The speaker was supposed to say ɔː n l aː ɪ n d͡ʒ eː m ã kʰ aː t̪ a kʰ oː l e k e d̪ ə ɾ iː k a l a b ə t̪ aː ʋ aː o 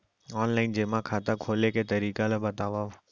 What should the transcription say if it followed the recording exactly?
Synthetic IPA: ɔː n l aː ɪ n d͡ʒ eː m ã kʰ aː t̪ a kʰ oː l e k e t̪ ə ɾ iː k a l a b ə t̪ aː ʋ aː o